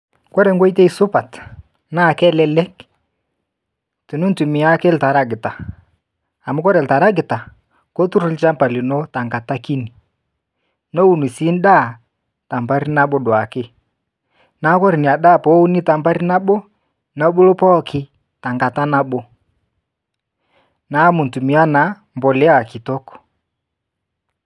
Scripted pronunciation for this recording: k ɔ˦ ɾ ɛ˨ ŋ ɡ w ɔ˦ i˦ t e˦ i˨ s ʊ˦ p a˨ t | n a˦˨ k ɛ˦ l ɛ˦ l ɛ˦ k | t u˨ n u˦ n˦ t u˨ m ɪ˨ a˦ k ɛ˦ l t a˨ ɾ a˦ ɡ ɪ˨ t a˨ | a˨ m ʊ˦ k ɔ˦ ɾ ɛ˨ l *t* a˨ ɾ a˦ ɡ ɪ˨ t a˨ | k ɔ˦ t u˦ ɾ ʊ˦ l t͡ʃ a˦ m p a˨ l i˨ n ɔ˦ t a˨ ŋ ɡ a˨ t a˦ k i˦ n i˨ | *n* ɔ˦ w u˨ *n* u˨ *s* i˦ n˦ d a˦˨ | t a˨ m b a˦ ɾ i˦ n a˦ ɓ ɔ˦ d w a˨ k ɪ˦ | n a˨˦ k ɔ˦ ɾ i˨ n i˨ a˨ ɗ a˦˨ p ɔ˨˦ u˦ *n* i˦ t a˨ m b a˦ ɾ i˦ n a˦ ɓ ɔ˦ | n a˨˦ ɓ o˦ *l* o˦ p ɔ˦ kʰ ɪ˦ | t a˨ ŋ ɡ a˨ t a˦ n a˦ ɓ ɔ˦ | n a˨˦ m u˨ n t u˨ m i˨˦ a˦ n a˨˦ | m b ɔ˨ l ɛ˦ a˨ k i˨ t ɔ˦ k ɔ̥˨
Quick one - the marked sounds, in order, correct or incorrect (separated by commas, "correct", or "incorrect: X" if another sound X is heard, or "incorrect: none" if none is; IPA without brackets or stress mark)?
correct, correct, correct, correct, correct, correct